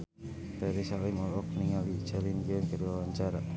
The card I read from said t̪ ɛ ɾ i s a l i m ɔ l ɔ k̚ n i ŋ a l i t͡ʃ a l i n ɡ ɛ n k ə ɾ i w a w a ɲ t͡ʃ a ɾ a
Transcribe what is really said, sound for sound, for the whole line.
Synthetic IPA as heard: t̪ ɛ ɾ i s a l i m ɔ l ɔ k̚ n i ŋ a l i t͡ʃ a l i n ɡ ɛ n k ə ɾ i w a w a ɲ t͡ʃ a ɾ a